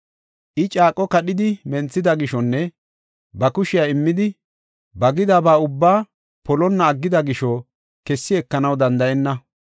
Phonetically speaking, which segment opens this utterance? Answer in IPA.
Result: ʔ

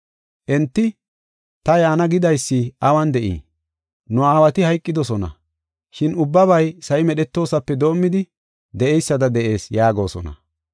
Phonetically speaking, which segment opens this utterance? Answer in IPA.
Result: ʔ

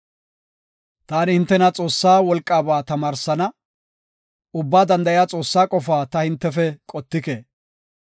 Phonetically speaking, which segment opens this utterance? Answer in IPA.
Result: t̪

